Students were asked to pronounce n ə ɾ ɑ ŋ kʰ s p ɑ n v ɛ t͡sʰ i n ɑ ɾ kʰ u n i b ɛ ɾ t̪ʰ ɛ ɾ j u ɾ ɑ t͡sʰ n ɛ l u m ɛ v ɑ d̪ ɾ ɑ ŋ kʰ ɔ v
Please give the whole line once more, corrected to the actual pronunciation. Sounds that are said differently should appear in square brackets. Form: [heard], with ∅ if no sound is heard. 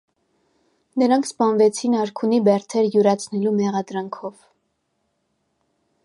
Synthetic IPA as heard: n ə ɾ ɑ ŋ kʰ s p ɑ n v ɛ t͡sʰ i n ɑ ɾ kʰ u n i b ɛ ɾ t̪ʰ ɛ ɾ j u ɾ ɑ t͡sʰ n ɛ l u m ɛ [ʁ] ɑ d̪ ɾ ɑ ŋ kʰ ɔ v